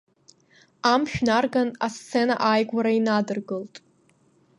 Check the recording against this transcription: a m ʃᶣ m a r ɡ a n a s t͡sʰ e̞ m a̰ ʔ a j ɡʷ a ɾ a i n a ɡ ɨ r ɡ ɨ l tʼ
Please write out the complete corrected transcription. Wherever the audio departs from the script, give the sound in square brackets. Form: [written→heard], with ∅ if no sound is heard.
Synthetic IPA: a m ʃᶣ [m→n] a r ɡ a n a s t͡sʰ e̞ [m→n] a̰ ʔ a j ɡʷ a ɾ a i n a [ɡ→d] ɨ r ɡ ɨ l tʼ